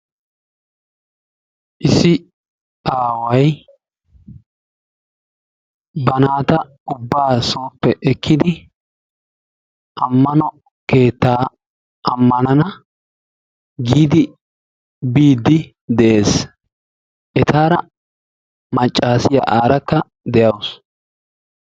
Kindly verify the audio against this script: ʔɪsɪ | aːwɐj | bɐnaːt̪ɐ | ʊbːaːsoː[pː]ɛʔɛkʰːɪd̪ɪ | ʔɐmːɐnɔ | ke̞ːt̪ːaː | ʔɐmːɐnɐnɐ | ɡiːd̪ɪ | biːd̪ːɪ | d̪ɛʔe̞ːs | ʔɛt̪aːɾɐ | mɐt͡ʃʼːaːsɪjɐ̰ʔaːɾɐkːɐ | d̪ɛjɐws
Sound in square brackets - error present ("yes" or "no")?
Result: no